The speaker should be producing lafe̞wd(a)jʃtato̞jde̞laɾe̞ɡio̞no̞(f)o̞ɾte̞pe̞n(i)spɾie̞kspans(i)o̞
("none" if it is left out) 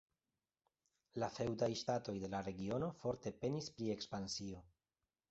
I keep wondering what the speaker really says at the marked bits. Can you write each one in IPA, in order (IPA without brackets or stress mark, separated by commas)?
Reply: a, f, i, i